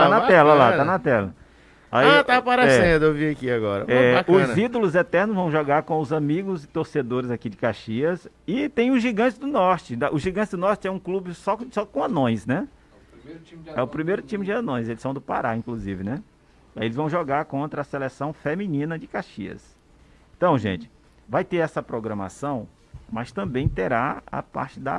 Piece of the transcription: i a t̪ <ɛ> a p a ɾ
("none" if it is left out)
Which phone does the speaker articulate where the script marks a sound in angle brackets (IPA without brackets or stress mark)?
a